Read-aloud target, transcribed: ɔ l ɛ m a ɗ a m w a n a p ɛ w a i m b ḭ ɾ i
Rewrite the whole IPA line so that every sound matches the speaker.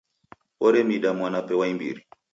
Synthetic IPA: ɔ ɾ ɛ m i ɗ a m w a n a p ɛ w a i m b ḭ ɾ i